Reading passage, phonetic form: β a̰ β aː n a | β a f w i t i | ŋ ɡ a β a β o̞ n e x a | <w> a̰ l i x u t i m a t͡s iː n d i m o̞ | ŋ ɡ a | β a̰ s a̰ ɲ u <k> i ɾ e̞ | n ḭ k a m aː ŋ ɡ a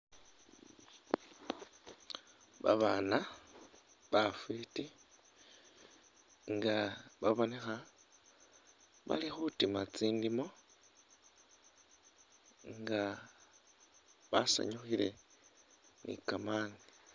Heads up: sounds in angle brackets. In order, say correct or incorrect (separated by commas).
incorrect, incorrect